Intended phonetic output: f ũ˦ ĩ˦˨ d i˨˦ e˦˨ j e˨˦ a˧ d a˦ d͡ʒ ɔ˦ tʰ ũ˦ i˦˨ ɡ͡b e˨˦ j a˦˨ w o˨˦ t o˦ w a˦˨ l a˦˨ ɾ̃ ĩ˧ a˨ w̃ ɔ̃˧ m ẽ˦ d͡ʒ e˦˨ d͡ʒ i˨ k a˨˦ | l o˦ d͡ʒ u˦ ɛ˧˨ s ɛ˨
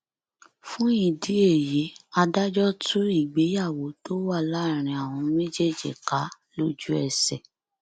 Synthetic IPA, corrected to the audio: f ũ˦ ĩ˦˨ d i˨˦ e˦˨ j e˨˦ a˧ d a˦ d͡ʒ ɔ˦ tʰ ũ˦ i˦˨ ɡ͡b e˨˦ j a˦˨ w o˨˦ t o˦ w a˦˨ l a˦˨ ɾ̃ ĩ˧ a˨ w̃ ɔ̃˧ m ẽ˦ d͡ʒ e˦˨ d͡ʒ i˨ k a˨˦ | l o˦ d͡ʒ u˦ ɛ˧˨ s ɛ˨